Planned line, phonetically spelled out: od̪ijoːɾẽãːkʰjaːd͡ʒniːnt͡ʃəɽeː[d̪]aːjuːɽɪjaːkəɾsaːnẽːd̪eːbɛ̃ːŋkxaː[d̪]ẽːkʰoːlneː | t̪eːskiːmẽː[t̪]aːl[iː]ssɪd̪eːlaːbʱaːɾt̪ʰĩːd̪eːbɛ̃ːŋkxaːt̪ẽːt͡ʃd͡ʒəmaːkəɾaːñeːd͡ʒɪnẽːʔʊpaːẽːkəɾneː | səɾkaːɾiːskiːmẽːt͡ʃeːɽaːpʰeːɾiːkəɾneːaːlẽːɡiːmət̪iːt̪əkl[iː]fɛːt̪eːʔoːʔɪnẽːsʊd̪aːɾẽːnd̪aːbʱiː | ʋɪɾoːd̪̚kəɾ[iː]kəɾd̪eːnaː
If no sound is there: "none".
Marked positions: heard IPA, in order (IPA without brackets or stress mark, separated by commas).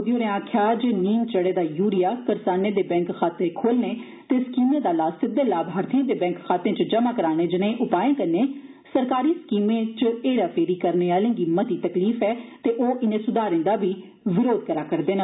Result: d̪, t̪, d̪, aː, iː, aː